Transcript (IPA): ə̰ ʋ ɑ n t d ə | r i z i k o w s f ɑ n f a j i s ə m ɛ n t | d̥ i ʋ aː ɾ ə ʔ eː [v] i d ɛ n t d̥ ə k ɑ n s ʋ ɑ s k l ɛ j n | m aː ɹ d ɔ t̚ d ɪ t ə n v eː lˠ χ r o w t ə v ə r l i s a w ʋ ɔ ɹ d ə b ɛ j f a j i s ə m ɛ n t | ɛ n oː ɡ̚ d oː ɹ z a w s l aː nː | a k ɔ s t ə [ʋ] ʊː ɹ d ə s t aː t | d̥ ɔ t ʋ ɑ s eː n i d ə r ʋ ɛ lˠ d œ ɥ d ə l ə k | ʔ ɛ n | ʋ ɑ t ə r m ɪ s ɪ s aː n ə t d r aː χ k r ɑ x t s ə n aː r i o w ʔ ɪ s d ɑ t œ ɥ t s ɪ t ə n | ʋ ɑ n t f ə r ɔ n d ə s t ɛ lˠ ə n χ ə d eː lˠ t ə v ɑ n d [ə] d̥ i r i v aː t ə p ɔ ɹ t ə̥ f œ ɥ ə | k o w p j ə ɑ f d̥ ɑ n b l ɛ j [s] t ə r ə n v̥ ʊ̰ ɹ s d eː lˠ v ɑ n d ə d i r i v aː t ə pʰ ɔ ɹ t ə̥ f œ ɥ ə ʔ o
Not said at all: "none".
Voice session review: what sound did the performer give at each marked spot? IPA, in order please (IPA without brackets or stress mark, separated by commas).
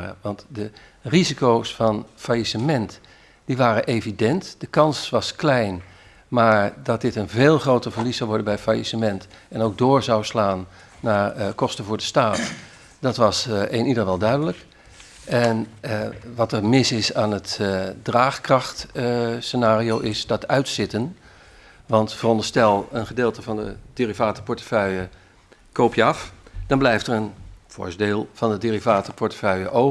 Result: v, v, ə, f